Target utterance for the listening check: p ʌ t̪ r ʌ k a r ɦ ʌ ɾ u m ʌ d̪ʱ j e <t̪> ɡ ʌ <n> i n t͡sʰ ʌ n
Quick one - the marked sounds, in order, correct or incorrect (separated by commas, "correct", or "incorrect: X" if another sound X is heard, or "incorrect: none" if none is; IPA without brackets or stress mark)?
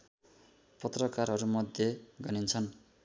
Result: incorrect: none, correct